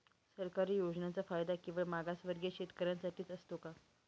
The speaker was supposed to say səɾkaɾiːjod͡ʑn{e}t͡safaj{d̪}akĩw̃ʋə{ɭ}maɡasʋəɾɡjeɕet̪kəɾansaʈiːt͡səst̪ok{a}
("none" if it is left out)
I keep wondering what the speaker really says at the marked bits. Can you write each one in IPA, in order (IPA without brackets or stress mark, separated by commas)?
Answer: a, d̪, ɭ, a